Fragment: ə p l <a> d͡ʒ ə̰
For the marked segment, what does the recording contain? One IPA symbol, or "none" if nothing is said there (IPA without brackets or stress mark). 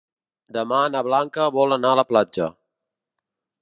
a